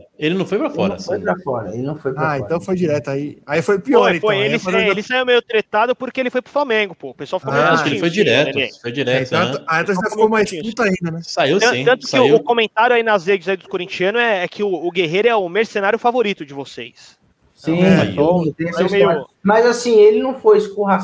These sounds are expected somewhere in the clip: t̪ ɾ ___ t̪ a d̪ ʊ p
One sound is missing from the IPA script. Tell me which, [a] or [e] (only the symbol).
e